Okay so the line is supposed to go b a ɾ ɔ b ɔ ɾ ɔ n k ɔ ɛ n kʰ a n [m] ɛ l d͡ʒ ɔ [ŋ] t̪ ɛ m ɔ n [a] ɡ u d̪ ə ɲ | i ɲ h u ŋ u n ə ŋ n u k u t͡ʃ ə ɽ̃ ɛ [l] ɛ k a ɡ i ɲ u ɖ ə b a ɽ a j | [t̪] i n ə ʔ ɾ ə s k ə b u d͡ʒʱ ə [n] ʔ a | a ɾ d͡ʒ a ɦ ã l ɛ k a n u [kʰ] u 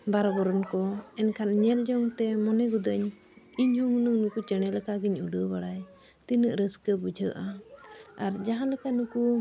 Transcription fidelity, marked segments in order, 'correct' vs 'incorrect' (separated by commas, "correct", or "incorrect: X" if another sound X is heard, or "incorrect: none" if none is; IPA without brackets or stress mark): incorrect: ɲ, correct, incorrect: ɛ, correct, correct, incorrect: none, incorrect: k